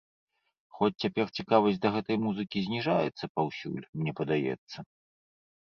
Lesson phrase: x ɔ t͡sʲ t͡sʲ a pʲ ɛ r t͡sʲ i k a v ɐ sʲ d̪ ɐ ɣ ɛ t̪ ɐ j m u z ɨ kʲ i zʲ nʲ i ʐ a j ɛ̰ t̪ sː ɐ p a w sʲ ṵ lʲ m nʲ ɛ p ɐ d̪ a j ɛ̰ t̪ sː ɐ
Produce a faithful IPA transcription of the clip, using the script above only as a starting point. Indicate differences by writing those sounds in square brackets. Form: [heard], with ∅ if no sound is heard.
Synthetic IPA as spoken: x ɔ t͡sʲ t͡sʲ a pʲ ɛ r t͡sʲ i k a v ɐ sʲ d̪ ɐ ɣ ɛ t̪ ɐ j m u z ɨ kʲ i zʲ nʲ i ʐ a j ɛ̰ t̪ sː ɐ p a w sʲ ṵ lʲ m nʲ ɛ p ɐ d̪ a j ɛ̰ t̪ sː ɐ